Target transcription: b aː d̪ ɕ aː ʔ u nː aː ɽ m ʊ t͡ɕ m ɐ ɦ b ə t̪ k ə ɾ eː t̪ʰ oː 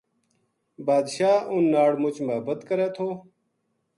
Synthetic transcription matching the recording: b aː d̪ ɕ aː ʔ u nː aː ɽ m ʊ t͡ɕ m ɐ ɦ b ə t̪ k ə ɾ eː t̪ʰ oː